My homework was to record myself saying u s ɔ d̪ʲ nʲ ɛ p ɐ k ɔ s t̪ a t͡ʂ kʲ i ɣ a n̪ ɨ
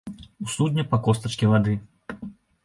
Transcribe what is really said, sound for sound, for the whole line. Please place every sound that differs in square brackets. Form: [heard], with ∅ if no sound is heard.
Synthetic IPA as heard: u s [u] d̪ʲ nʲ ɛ p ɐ k ɔ s t̪ [ɐ] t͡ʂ kʲ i [v] a [d̪] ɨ